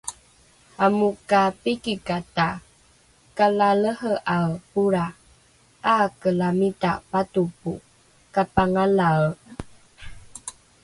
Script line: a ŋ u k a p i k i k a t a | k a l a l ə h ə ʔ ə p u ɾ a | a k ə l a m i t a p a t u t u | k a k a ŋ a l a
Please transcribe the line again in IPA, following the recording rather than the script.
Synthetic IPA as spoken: a m u k a p i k i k a t a | k a l a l ə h ə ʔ a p u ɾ a | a k ə l a m i t a p a t u p u | k a p a ŋ a l a